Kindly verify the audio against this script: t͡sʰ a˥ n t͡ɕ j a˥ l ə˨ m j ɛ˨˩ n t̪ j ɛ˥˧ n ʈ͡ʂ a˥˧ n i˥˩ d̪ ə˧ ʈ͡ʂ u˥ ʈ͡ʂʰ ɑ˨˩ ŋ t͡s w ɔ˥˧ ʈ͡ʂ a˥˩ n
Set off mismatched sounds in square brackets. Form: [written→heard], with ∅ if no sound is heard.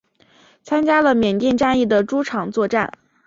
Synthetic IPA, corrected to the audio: t͡sʰ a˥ n t͡ɕ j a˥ l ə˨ m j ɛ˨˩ n t̪ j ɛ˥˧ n ʈ͡ʂ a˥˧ n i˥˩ d̪ [ə˧→ə˩] ʈ͡ʂ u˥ ʈ͡ʂʰ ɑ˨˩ ŋ t͡s w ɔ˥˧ ʈ͡ʂ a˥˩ n